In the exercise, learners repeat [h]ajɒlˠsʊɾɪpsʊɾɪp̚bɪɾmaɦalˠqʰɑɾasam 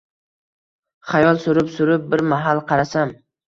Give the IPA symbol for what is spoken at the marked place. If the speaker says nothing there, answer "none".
χ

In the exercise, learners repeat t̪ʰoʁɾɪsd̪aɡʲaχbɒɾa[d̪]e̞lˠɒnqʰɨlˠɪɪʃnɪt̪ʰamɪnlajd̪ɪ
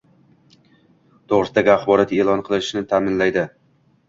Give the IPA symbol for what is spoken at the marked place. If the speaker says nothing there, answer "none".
t̪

